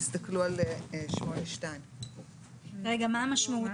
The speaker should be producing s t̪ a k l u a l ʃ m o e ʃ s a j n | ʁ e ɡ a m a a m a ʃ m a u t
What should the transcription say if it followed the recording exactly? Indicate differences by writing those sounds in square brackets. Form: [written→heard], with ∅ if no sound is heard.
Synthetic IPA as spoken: s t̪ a k l u a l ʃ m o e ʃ [s→t] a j n | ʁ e ɡ a m a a m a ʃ m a u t

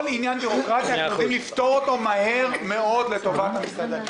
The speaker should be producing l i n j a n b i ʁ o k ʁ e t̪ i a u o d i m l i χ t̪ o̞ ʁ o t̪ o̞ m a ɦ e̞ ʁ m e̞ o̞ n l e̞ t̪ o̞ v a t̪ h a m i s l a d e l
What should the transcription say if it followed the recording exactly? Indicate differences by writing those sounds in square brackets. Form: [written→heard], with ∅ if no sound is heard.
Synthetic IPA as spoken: l i n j a n b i ʁ o k ʁ [e→a] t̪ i a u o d i m l i [χ→f] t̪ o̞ ʁ o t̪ o̞ m a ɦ e̞ ʁ m e̞ o̞ [n→d] l e̞ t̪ o̞ v a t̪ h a m i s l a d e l

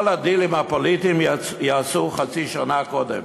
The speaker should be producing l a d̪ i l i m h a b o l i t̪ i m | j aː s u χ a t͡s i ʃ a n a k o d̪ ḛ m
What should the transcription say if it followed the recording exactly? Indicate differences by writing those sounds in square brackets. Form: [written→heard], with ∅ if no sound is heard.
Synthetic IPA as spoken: l a d̪ i l i m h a [b→p] o l i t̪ i m | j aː s u χ a t͡s i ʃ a n a k o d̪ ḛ m

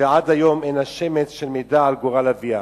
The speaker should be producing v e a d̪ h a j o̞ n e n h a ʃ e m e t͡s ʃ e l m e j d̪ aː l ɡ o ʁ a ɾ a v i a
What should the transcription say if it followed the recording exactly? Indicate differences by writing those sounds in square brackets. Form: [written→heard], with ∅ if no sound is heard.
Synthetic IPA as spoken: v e a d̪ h a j o̞ [n→m] e n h a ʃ e m e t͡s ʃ e l m e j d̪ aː l ɡ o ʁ a [ɾ→l] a v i a

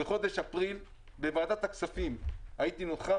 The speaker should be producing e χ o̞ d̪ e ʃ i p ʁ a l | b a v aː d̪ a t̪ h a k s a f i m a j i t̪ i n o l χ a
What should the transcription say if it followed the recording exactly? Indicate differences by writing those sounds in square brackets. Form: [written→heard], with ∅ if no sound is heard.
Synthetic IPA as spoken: e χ o̞ d̪ e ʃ [i→a] p ʁ [a→i] l | b [a→e] v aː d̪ a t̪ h a k s a f i m a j i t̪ i n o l χ a

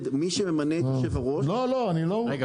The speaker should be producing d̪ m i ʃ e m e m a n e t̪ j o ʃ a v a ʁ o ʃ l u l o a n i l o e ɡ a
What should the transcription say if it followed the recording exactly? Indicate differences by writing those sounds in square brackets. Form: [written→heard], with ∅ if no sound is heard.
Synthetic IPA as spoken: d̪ m i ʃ e m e m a n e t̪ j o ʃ [a→e] v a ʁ o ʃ l [u→o] l o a n i l o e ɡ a

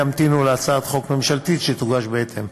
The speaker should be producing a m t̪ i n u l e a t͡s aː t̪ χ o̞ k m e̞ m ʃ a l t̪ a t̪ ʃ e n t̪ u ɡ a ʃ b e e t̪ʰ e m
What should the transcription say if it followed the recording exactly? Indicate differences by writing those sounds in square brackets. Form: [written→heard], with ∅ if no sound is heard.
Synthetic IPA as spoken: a m t̪ i n u l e a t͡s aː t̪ χ o̞ k m e̞ m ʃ a l t̪ [a→i] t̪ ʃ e [n→∅] t̪ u ɡ a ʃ b e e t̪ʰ e m

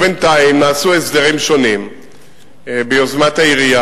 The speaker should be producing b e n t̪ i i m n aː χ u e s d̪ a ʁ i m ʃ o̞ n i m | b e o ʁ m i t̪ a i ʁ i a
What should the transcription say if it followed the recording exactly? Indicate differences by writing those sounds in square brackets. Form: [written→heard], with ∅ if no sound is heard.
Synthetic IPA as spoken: b e n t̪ [i→a] i m n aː [χ→s] u e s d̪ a ʁ i m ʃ o̞ n i m | b e o [ʁ→z] m [i→a] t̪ a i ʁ i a

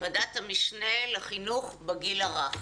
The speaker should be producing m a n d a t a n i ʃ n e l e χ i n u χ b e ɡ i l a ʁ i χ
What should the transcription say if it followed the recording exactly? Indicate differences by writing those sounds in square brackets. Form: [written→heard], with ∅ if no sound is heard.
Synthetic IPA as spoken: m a [n→∅] d a t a [n→m] i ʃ n e l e χ i n u χ b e ɡ i l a ʁ [i→a] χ

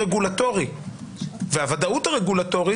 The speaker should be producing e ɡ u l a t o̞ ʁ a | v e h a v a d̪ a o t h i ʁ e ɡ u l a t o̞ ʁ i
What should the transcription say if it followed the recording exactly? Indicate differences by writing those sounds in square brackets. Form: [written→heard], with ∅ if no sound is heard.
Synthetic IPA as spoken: e ɡ u l a t o̞ ʁ [a→i] | v e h a v a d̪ a [o→u] t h [i→a] ʁ e ɡ u l a t o̞ ʁ i

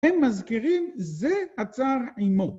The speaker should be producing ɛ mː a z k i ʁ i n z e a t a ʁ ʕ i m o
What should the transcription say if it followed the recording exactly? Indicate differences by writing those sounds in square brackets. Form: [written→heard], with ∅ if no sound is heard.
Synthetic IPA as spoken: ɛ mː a z k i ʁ i [n→m] z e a [t→t͡s] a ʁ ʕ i m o

